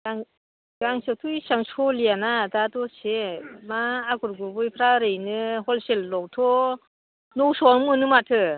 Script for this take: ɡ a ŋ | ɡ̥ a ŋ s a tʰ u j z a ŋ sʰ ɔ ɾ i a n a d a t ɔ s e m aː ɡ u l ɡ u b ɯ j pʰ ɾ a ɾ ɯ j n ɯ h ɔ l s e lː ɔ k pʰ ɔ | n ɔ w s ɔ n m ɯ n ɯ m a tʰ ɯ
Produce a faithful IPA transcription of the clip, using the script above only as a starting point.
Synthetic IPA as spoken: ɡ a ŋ | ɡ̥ a ŋ s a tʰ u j s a ŋ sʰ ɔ l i a n a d a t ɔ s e m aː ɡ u ɾ ɡ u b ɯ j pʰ ɾ a ɾ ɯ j n ɯ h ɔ l s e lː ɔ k tʰ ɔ | n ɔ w s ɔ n m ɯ n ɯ m a tʰ ɯ